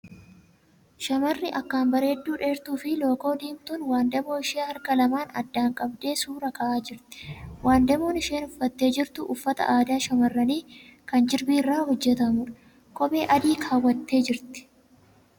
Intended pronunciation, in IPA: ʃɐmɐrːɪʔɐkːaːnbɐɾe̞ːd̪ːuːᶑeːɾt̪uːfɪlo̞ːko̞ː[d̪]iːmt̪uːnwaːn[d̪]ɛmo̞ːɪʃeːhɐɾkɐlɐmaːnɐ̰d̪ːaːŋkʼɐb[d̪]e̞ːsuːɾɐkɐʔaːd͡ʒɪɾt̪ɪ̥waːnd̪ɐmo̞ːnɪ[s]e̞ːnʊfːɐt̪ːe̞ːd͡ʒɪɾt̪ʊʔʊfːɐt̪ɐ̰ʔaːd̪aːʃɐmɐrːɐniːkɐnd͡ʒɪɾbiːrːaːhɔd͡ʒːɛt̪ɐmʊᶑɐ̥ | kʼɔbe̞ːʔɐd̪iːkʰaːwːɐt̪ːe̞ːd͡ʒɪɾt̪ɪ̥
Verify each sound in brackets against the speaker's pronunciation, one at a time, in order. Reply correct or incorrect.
correct, correct, correct, incorrect

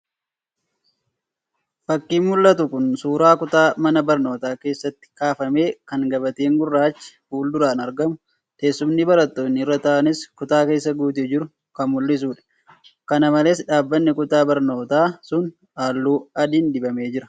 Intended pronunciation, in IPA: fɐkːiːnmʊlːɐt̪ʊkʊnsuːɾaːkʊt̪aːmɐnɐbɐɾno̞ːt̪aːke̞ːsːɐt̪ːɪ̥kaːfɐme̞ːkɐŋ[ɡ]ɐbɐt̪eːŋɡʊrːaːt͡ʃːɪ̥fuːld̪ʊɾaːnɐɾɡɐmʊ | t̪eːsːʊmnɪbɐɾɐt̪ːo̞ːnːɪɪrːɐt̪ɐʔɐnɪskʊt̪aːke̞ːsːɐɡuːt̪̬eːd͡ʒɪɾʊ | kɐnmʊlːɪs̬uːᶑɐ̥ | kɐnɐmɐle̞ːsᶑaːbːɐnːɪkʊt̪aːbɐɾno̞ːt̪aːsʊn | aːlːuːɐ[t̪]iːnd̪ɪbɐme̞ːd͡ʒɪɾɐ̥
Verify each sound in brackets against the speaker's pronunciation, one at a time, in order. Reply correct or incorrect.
correct, incorrect

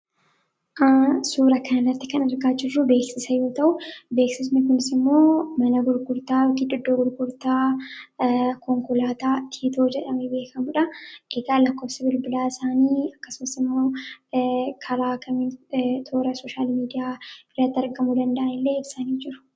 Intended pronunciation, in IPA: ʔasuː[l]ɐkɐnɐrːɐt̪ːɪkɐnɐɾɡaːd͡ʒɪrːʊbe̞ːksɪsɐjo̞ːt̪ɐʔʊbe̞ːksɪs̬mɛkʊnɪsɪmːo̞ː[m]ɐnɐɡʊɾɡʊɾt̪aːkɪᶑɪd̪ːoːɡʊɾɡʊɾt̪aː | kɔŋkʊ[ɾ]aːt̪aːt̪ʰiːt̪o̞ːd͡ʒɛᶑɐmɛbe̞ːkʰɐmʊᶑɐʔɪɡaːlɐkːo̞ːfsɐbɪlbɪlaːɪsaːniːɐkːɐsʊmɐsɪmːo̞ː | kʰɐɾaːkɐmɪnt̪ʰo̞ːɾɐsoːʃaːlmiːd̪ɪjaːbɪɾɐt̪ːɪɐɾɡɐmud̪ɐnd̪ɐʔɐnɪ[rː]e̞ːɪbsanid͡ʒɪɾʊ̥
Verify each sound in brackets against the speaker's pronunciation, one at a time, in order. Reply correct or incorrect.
incorrect, correct, incorrect, incorrect

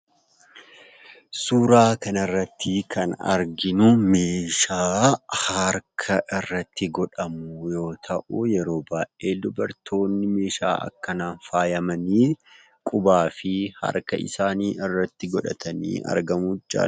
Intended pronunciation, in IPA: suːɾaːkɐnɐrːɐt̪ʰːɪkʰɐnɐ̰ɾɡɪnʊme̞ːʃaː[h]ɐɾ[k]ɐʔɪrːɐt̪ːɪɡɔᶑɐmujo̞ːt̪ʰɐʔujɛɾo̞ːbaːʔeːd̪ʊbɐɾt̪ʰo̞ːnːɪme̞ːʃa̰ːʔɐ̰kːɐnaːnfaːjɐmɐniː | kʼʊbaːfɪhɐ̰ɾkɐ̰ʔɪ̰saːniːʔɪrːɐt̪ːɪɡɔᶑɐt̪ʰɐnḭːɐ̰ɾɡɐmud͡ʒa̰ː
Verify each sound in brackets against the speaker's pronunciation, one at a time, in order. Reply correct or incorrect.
correct, incorrect

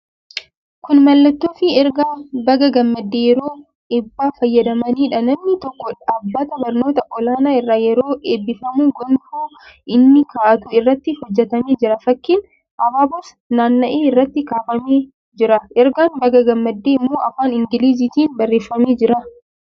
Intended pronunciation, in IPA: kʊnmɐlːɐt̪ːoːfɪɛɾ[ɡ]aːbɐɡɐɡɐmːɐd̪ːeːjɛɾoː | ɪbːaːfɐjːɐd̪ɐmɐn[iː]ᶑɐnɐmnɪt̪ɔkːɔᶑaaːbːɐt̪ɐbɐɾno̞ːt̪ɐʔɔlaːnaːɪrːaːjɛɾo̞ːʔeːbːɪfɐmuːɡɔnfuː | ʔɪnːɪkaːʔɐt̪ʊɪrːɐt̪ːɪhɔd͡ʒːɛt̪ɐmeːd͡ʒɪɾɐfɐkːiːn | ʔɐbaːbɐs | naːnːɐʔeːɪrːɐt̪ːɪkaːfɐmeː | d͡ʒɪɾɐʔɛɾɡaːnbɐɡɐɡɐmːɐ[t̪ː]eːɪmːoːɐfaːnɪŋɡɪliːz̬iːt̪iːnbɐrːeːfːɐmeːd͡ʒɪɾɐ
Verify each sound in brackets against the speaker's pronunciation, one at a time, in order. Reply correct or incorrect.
correct, correct, incorrect

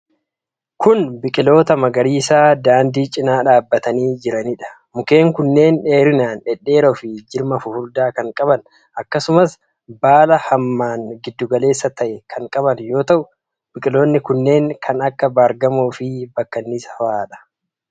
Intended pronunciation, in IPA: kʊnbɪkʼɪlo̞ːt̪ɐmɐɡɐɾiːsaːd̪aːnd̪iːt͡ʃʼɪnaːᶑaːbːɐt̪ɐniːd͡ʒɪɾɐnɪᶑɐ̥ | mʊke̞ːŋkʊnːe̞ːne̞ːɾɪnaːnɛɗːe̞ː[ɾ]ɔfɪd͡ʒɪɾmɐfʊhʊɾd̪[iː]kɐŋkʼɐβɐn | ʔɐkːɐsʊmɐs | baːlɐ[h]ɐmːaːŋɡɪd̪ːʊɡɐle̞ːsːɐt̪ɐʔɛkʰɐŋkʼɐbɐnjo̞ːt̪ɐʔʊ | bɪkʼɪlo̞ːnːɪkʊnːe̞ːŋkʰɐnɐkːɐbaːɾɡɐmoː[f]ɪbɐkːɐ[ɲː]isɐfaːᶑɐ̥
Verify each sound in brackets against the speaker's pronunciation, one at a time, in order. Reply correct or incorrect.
correct, incorrect, correct, correct, incorrect

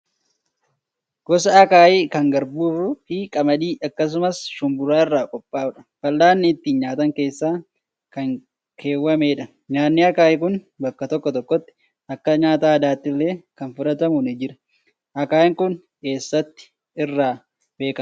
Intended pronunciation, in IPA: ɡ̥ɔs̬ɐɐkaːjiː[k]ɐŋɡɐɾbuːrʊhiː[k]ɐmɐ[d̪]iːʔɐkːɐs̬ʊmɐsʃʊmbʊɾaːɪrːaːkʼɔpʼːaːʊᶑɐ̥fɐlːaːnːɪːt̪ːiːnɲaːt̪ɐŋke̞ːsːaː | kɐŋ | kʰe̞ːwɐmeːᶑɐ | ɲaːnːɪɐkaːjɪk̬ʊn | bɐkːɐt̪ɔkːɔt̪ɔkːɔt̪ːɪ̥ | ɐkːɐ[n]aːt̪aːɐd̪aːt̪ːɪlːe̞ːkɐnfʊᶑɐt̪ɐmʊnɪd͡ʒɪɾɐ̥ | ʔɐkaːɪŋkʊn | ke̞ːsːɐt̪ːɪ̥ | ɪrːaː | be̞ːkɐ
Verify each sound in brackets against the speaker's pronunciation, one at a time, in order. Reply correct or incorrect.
correct, incorrect, correct, incorrect

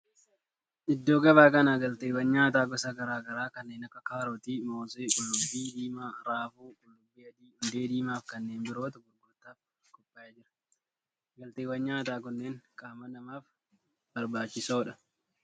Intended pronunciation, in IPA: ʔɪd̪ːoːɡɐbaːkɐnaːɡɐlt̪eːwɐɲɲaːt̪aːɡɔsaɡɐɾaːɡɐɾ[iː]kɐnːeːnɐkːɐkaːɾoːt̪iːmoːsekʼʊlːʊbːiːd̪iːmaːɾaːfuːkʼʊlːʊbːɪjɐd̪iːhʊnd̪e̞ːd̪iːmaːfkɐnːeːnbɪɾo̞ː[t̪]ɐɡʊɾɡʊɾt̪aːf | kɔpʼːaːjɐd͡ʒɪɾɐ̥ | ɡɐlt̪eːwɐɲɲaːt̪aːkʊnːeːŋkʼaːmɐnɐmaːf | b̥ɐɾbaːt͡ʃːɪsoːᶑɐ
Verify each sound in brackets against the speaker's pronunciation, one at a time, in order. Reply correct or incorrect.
incorrect, correct

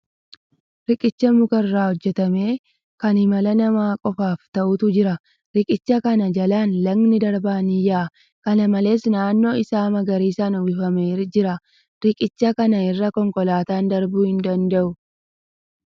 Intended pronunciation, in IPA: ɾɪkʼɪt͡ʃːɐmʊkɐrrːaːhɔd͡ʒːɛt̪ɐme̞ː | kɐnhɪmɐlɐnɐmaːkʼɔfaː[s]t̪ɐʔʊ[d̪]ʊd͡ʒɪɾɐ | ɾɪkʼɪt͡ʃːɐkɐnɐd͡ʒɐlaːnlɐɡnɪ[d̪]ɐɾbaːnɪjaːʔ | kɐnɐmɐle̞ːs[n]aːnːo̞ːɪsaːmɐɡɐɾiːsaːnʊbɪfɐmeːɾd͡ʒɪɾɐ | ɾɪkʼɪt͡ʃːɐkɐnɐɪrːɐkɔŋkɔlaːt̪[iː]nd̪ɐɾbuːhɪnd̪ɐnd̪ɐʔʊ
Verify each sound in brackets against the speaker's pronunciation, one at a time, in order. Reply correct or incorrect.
incorrect, incorrect, correct, correct, incorrect

